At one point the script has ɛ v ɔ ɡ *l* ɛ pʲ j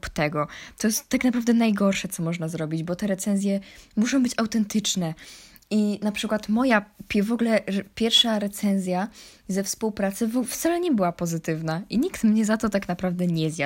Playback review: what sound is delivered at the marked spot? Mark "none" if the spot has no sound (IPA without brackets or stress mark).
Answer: l